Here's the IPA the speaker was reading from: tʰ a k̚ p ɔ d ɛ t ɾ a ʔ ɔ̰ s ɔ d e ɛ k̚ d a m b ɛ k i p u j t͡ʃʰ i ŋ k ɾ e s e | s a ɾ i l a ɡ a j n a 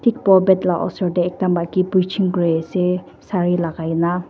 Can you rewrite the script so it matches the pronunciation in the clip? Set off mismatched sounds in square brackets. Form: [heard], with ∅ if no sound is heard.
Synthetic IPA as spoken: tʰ [i] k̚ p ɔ [b] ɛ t [l] a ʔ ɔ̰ s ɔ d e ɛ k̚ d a m b [a] k i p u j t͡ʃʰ i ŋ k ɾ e s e | s a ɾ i l a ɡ a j n a